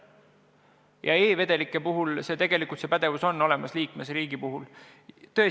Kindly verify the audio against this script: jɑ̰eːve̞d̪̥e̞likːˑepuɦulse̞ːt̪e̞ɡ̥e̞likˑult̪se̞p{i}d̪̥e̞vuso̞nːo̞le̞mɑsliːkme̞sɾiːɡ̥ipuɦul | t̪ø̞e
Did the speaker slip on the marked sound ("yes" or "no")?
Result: yes